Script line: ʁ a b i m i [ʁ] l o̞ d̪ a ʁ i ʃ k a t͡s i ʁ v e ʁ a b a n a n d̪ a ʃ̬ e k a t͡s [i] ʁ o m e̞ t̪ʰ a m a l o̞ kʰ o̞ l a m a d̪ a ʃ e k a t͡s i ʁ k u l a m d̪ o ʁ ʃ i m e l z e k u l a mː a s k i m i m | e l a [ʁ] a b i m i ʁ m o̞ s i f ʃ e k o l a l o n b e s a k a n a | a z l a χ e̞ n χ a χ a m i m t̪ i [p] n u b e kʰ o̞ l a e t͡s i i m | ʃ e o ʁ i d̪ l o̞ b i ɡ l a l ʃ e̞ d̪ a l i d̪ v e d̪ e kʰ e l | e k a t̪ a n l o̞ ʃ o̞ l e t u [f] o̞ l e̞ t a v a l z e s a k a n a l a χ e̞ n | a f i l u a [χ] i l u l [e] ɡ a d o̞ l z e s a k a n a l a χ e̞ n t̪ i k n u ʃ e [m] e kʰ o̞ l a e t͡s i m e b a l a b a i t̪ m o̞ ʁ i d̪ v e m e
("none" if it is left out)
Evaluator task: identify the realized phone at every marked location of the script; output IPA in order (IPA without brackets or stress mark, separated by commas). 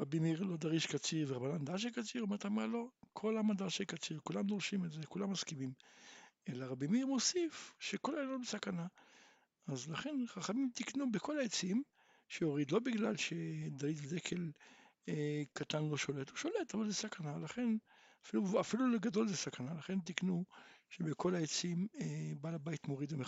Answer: ʁ, i, ʁ, k, ʃ, f, e, b